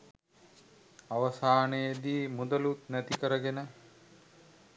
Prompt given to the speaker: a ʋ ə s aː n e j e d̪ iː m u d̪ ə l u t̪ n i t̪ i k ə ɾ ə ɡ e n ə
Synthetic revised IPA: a ʋ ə s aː n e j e d̪ iː m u d̪ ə l u t̪ n æ t̪ i k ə ɾ ə ɡ e n ə